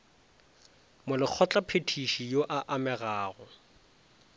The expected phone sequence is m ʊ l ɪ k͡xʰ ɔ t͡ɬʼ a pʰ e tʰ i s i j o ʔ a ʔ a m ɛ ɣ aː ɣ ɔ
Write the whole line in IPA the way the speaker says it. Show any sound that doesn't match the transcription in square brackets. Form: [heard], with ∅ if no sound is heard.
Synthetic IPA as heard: m ʊ l ɪ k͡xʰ ɔ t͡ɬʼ a pʰ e tʰ i [ʃ] i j o ʔ a ʔ a m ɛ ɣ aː ɣ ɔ